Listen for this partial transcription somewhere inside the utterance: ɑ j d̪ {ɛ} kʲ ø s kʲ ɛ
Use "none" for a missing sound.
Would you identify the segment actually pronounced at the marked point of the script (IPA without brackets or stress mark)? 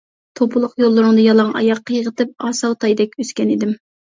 ɛ